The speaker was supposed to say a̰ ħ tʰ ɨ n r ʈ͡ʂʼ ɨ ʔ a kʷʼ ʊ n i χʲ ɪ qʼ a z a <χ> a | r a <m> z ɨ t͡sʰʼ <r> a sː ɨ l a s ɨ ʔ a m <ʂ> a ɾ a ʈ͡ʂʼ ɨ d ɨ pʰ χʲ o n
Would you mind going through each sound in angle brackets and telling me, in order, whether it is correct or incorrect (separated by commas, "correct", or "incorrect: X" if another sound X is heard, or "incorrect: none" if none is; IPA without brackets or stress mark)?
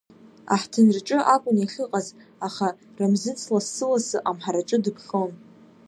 correct, correct, incorrect: l, incorrect: ħ